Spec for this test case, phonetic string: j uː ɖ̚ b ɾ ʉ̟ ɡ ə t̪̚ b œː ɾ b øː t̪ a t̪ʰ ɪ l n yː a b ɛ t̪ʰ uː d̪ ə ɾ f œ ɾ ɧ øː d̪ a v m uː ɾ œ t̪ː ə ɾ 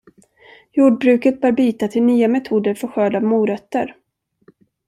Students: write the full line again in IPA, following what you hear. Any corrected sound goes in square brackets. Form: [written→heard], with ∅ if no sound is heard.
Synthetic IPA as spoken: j uː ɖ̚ b ɾ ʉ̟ [ɡ→k] ə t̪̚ b œː ɾ b [øː→yː] t̪ a t̪ʰ ɪ l n yː a [b→m] ɛ t̪ʰ uː d̪ ə ɾ f œ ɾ ɧ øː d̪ a v m uː ɾ œ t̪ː ə ɾ